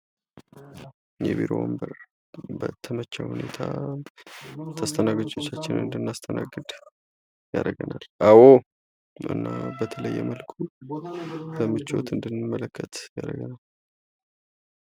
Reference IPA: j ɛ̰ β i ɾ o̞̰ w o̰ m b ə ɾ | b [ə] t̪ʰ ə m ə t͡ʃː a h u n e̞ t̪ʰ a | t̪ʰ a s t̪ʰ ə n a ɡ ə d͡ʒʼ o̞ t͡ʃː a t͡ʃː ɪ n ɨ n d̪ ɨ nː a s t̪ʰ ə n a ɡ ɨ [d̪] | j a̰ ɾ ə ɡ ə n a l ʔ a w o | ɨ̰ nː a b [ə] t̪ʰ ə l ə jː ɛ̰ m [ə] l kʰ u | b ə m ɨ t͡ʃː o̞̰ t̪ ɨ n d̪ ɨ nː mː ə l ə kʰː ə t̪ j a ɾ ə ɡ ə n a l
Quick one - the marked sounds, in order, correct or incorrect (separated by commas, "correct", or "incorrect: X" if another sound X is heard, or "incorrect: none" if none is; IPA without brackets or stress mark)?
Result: correct, correct, correct, correct